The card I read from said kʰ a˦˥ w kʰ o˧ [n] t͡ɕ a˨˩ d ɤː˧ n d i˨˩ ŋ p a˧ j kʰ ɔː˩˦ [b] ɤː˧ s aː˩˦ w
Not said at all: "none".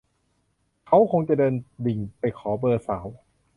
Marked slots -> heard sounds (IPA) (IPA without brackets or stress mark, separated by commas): ŋ, b